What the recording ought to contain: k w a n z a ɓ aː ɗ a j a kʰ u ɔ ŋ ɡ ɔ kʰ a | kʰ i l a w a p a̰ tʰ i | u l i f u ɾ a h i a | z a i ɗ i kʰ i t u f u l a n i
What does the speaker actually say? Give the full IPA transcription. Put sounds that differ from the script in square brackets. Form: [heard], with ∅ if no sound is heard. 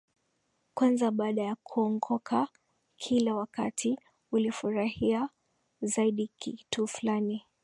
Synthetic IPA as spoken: k w a n z a ɓ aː ɗ a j a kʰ u ɔ ŋ ɡ ɔ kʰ a | kʰ i l a w a [k] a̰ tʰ i | u l i f u ɾ a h i a | z a i ɗ i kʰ i t u f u l a n i